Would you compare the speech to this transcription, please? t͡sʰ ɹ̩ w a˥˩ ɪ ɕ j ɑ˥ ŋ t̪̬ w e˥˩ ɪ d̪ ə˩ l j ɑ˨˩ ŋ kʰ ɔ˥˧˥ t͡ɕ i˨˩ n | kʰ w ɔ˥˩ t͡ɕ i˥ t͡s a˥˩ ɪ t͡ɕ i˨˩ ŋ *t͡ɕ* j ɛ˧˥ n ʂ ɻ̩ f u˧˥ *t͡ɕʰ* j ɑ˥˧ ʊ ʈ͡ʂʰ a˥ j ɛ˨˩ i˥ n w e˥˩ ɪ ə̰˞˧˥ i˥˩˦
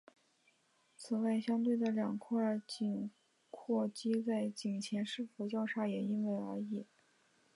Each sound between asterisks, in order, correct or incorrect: incorrect: t͡ɕʰ, incorrect: t͡ɕ

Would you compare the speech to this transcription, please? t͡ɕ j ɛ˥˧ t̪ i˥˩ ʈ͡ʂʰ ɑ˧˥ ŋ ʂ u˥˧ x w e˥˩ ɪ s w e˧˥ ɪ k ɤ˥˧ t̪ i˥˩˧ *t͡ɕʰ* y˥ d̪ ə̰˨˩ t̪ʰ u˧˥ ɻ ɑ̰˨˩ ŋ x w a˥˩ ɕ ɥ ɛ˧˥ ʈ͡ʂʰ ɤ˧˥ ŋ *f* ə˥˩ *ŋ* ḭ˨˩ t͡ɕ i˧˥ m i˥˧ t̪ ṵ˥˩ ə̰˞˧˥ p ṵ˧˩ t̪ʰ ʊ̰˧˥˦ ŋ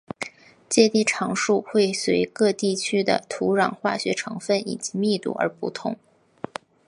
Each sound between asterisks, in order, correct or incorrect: correct, correct, incorrect: n

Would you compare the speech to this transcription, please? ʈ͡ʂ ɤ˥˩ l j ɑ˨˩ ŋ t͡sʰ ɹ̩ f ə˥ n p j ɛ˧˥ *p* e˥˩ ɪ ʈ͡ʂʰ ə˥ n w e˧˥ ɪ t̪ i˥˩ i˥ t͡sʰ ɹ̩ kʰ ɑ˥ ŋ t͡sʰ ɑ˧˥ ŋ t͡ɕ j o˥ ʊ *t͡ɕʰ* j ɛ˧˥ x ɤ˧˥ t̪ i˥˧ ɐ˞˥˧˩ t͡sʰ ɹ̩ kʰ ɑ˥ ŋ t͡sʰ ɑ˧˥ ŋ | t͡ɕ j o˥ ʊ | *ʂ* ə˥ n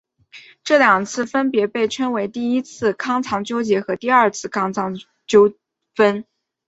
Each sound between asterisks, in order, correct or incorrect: correct, incorrect: t͡ɕ, incorrect: f

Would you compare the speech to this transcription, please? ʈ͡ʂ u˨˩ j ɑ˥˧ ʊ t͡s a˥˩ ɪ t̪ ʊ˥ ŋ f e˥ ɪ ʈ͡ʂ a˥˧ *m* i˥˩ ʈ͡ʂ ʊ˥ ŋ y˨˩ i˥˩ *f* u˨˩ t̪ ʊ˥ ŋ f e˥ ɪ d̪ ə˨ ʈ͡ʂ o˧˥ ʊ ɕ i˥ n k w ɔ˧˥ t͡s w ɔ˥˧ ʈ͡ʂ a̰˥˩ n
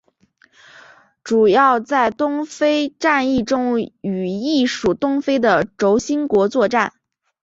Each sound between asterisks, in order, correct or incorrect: incorrect: n, incorrect: ʂ

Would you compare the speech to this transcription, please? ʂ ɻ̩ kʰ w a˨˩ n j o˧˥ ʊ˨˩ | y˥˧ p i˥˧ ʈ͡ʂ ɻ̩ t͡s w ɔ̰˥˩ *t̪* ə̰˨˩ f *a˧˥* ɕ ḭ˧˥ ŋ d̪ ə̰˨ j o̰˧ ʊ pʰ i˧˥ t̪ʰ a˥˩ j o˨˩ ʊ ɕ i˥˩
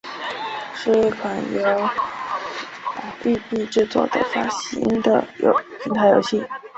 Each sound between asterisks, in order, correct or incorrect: incorrect: d̪, incorrect: a˥

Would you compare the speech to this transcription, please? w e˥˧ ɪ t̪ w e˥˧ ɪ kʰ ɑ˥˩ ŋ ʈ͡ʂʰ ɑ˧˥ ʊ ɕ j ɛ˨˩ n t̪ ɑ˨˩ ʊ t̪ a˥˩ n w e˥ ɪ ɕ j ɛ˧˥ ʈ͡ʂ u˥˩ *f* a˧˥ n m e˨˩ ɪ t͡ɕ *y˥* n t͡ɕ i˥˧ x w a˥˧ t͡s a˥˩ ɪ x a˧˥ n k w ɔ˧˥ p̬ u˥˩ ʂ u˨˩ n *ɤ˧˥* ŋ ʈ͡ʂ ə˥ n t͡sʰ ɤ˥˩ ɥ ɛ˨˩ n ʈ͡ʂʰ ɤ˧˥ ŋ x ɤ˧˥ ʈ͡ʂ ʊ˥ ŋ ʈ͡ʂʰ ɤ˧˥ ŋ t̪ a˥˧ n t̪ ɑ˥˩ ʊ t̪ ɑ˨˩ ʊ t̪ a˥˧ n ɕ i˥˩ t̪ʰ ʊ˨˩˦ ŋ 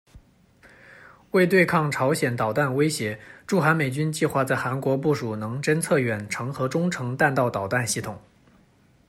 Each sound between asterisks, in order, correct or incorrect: incorrect: x, correct, correct

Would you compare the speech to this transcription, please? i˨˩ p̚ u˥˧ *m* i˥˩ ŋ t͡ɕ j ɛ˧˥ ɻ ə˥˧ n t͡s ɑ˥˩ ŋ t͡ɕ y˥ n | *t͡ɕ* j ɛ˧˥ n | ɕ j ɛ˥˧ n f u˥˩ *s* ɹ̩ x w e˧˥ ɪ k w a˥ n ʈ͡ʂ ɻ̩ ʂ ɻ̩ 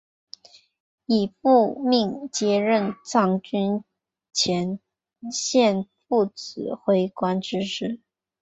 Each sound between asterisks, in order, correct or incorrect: correct, incorrect: t͡ɕʰ, incorrect: t͡s

